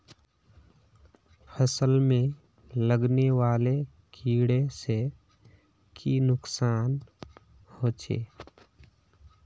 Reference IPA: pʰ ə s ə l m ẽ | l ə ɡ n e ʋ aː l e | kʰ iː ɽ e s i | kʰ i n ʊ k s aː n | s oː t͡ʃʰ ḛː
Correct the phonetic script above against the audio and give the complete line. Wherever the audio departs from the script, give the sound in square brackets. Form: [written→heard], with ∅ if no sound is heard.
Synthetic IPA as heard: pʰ ə s ə l m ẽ | l ə ɡ n e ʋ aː l e | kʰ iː ɽ e s [i→e] | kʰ i n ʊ k s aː n | [s→h] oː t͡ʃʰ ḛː